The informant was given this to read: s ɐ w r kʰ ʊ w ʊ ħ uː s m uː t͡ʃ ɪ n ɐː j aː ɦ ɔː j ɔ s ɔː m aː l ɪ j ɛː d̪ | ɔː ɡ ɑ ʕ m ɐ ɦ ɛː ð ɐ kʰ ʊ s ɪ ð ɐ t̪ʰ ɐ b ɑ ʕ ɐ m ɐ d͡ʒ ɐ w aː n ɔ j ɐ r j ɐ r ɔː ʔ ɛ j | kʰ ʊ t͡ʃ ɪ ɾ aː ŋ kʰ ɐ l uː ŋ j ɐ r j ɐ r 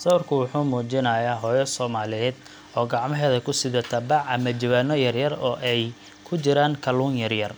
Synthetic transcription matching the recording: s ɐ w r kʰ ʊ w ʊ ħ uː m uː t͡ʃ ɪ n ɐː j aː ɦ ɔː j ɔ s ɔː m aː l ɪ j ɛː d̪ | ɔː ɡ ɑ ʕ m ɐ ɦ ɛː ð ɐ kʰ ʊ s ɪ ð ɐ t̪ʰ ɐ b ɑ ʕ ɐ m ɐ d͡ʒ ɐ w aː n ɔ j ɐ r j ɐ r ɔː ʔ ɛ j | kʰ ʊ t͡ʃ ɪ ɾ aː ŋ kʰ ɐ l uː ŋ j ɐ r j ɐ r